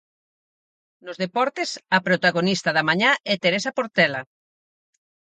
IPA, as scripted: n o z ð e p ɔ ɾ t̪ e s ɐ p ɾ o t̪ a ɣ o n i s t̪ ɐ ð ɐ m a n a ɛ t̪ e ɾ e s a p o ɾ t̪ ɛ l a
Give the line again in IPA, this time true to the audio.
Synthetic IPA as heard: n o z ð e p ɔ ɾ t̪ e s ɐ p ɾ o t̪ a ɣ o n i s t̪ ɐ ð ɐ m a ɲ a ɛ t̪ e ɾ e s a p o ɾ t̪ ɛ l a